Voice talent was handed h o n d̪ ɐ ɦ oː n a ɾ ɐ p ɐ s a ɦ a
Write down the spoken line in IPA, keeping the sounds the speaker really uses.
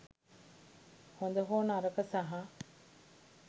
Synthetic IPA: h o n d̪ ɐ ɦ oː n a ɾ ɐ k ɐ s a ɦ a